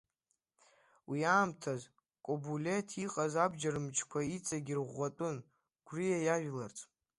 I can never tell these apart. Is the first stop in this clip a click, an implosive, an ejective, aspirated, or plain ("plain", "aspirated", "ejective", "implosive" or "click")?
aspirated